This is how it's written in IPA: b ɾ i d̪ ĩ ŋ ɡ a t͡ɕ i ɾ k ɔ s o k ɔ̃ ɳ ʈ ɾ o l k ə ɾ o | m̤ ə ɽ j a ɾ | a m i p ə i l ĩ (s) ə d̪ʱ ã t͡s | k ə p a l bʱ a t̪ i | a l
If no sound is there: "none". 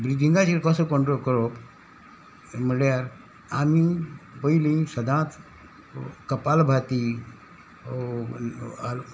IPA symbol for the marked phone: s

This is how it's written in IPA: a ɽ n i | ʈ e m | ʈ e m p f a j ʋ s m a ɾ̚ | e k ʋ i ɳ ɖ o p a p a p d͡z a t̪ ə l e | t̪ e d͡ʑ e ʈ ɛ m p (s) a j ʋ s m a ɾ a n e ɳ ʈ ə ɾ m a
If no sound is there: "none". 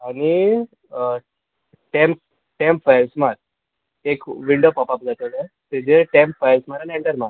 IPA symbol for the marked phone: f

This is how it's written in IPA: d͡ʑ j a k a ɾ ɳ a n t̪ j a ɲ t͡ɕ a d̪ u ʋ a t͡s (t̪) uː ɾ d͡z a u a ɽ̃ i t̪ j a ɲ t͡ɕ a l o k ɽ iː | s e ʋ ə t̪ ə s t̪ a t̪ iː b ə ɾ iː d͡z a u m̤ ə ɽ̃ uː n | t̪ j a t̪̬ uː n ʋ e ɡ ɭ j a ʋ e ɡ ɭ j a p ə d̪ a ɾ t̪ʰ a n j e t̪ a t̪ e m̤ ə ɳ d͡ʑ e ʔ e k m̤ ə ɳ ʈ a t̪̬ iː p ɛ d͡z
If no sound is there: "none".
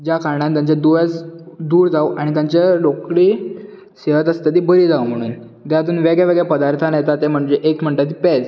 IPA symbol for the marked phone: d̪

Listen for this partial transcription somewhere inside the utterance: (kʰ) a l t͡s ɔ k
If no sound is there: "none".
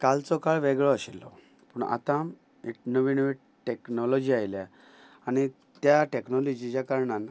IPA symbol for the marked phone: k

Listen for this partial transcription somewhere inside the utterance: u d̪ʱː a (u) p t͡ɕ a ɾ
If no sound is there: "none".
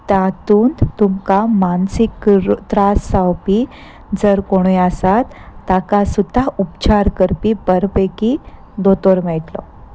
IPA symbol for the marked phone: u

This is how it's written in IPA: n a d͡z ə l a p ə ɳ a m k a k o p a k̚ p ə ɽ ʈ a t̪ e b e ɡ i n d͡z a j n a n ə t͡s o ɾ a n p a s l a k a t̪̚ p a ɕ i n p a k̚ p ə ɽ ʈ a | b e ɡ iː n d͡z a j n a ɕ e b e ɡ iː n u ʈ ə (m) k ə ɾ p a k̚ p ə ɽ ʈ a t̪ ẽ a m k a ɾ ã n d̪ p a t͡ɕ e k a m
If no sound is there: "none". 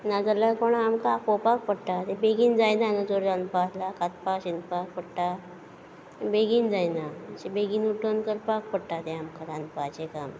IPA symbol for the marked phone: n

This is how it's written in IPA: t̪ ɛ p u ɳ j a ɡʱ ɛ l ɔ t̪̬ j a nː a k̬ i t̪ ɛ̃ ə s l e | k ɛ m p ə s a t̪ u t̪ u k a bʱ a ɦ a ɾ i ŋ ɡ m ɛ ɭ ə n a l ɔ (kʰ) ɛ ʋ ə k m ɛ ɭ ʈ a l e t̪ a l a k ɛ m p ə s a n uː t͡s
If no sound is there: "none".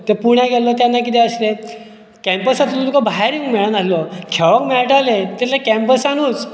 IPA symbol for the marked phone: kʰ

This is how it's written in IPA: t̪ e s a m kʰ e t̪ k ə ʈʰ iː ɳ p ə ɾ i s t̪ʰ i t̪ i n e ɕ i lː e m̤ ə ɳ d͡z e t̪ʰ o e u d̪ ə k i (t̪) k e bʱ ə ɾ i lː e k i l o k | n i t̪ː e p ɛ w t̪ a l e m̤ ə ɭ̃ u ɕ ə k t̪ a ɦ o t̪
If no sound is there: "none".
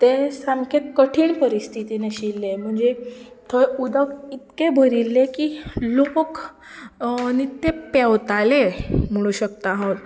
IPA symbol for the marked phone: t̪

